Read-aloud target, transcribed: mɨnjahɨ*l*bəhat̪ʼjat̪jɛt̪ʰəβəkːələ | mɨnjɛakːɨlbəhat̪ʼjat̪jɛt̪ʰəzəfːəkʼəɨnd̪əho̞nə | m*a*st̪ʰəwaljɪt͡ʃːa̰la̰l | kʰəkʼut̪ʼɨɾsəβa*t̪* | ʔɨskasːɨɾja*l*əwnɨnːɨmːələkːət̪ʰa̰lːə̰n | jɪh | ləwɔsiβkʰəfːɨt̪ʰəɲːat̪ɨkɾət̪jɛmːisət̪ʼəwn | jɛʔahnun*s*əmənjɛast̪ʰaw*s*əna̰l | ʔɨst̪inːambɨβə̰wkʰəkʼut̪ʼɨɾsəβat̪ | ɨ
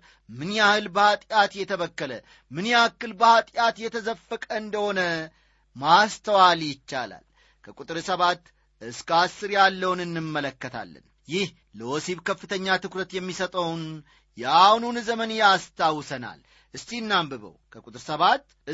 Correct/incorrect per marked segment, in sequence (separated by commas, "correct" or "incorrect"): correct, correct, correct, incorrect, incorrect, correct